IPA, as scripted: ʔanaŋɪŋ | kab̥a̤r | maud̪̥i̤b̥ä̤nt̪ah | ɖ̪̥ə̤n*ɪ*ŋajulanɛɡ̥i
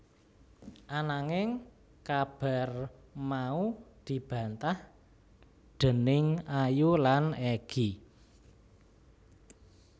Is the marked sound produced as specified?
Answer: yes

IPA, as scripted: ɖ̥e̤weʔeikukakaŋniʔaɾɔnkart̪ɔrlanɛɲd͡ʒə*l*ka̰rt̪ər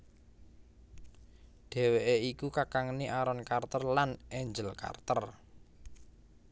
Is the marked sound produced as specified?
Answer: yes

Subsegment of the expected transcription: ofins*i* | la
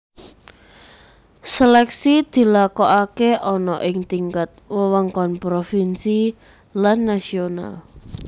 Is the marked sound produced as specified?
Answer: yes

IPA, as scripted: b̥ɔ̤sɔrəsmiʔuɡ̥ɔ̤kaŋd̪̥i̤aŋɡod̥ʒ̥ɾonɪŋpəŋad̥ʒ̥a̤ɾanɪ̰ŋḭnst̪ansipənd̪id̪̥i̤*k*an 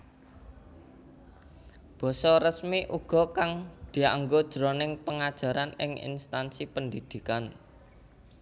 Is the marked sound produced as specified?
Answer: yes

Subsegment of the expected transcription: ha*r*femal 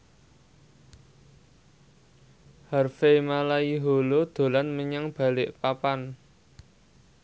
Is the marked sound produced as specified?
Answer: yes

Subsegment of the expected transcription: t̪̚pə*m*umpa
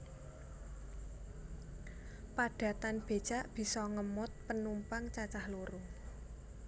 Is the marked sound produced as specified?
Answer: no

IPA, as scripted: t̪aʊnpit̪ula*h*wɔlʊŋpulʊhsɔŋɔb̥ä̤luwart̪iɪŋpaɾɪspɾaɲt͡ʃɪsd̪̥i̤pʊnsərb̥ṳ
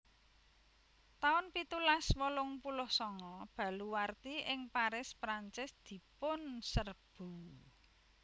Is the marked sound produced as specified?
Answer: no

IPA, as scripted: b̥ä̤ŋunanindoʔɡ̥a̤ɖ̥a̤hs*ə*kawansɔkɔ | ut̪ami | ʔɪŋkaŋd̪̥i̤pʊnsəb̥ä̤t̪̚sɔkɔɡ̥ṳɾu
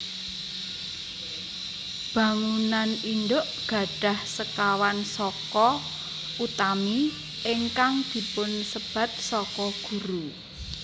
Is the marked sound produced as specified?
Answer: yes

